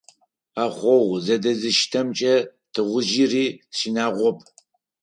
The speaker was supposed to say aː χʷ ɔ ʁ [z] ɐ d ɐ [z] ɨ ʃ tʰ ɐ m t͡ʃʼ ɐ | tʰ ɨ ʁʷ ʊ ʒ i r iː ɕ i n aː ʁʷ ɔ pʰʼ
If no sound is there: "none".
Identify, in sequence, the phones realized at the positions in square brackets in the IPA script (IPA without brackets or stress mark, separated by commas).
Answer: z, z